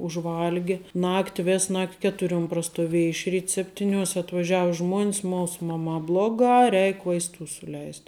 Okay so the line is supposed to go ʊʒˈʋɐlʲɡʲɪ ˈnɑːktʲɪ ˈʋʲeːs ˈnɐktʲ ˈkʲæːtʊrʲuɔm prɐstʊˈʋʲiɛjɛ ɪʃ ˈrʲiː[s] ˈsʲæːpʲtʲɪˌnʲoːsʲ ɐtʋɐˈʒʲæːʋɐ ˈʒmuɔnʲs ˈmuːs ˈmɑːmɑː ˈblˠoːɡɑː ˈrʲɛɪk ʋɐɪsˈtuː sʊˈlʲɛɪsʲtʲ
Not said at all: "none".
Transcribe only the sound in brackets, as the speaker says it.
t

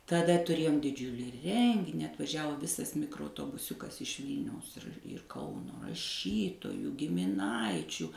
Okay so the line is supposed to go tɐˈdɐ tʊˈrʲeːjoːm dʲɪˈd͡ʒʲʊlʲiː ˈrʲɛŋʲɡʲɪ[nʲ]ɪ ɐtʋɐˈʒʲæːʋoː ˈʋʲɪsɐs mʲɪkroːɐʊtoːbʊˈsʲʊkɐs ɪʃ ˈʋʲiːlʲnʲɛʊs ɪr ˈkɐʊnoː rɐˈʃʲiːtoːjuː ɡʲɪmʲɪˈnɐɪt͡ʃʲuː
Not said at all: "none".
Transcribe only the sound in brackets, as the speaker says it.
nʲ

